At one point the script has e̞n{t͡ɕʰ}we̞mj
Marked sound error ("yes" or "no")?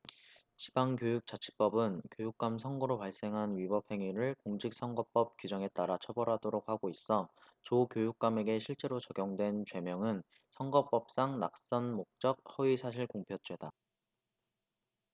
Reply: yes